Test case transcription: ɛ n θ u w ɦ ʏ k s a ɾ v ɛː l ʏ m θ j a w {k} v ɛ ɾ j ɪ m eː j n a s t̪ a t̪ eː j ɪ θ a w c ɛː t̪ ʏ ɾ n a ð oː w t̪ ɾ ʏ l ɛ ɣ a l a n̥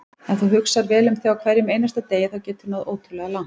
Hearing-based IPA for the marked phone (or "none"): kʰ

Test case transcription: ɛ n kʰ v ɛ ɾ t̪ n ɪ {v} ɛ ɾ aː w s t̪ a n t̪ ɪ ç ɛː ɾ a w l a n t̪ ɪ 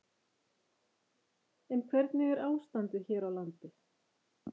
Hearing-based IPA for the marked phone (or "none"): ɣ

